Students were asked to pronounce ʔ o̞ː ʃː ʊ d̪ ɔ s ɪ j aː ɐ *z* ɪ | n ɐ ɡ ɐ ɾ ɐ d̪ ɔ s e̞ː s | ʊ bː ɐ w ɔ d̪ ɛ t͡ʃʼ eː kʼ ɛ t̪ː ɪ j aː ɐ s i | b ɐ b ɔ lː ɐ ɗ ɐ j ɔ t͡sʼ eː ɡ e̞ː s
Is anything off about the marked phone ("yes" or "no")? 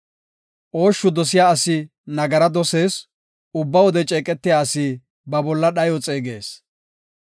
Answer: yes